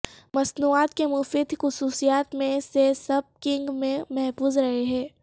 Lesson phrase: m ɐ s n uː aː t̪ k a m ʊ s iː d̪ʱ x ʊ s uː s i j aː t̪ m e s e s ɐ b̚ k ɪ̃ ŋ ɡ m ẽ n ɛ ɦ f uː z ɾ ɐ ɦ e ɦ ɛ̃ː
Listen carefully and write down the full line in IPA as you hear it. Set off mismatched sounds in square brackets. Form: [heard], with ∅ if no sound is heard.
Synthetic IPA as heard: m ɐ s n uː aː t̪ k [e] m ʊ [f] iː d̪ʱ x ʊ s uː s i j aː t̪ m [ẽ] s e s ɐ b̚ k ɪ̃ ŋ ɡ m ẽ [m] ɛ ɦ f uː z ɾ ɐ ɦ e ɦ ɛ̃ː